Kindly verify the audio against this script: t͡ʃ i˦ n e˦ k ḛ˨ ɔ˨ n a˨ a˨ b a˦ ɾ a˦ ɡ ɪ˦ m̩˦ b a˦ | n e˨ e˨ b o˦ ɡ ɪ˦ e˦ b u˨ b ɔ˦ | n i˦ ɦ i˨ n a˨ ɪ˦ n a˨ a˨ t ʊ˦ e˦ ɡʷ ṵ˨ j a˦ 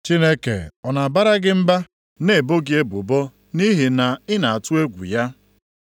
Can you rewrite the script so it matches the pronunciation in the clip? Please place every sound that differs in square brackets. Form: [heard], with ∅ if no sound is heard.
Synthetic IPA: t͡ʃ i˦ n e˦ k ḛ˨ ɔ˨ n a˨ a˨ b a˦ ɾ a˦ ɡ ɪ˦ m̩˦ b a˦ | n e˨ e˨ b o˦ ɡ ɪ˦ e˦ b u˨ b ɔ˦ | n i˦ ɦ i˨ n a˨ ɪ˦ n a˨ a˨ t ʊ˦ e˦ ɡʷ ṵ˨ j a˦